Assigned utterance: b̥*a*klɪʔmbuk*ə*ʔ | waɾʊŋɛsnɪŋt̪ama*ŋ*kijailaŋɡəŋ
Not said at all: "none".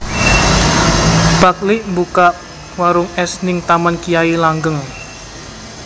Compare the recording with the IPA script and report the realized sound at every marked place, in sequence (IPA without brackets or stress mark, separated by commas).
a, a, n